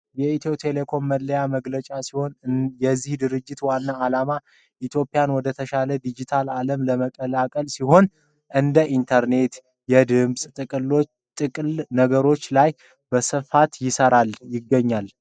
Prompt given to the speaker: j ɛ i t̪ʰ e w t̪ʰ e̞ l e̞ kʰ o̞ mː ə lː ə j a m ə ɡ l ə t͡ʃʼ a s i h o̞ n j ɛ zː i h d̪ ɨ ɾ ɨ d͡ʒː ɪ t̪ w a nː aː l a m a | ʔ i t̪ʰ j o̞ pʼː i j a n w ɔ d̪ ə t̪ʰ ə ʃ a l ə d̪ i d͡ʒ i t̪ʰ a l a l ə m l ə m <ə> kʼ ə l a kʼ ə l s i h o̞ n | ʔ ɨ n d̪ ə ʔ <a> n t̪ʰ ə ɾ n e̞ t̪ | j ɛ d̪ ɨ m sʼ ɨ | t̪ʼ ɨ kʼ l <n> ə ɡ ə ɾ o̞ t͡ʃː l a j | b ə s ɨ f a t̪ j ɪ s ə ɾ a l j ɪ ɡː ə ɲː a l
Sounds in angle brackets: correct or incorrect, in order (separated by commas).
correct, incorrect, correct